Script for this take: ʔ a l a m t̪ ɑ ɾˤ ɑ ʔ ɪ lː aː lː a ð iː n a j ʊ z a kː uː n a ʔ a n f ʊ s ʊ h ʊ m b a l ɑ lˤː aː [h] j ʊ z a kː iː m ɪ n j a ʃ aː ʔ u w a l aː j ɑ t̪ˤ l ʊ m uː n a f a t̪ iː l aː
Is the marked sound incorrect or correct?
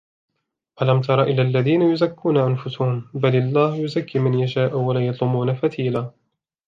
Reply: correct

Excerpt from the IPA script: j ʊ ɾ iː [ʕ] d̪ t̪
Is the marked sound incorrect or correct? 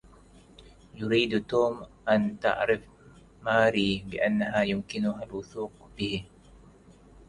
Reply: incorrect: none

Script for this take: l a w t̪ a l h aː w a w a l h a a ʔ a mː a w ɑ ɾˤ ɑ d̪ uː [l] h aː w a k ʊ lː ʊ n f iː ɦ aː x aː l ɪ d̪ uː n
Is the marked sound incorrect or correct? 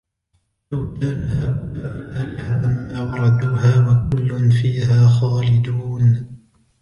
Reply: incorrect: none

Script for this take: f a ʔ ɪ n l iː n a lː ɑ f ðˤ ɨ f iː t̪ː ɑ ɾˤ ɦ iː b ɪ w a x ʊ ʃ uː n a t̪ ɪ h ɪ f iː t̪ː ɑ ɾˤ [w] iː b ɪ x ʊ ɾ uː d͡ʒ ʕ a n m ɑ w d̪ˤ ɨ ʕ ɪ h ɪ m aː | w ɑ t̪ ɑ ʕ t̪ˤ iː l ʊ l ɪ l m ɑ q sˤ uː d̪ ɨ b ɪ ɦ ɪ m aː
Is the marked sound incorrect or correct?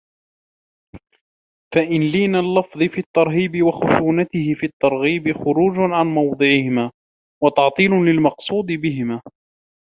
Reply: incorrect: ɣ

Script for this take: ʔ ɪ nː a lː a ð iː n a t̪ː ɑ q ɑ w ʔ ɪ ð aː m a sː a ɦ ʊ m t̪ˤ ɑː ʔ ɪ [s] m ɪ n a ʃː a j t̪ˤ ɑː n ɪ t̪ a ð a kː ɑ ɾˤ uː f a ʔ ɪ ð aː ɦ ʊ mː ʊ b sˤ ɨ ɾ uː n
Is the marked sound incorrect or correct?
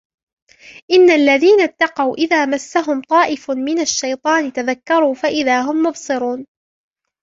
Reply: incorrect: f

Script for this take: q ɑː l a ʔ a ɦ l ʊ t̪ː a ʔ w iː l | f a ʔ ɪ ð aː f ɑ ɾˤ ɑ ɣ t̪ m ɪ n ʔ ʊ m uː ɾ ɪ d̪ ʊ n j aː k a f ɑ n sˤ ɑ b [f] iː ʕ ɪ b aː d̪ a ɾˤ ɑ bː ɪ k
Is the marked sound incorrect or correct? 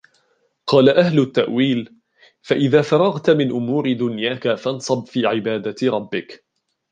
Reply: correct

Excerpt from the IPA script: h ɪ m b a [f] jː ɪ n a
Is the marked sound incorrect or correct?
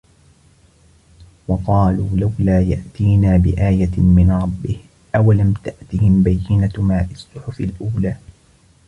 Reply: incorrect: none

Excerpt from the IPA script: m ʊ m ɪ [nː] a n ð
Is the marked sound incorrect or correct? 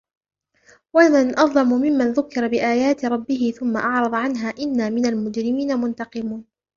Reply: incorrect: mː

